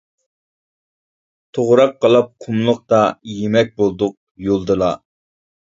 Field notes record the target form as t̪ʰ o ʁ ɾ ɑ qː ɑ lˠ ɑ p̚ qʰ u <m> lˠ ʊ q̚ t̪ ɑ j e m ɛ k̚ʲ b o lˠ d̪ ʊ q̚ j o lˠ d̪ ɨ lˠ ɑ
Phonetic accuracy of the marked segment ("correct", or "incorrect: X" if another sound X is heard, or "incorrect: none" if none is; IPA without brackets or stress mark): correct